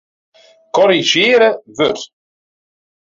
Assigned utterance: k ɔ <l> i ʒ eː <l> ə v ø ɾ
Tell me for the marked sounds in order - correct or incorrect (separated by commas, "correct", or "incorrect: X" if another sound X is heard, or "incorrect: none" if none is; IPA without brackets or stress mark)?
incorrect: ɾ, incorrect: ɾ